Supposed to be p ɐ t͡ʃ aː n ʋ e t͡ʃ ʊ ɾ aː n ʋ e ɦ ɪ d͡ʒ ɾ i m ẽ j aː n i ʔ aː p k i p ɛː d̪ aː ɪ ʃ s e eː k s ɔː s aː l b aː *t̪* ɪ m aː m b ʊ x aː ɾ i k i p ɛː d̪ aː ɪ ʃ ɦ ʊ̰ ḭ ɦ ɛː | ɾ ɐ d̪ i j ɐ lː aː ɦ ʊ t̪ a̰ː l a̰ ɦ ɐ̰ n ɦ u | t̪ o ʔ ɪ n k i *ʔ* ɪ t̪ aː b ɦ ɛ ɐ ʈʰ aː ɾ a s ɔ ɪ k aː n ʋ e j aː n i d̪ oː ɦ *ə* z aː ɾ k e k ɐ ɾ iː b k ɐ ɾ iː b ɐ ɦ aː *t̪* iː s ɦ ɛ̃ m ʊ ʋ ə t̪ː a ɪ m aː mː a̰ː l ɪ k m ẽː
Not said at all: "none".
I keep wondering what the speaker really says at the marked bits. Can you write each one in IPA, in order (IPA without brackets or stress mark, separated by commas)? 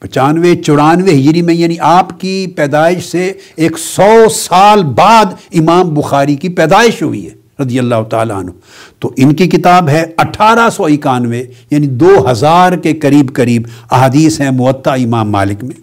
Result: d̪, k, ɐ, d̪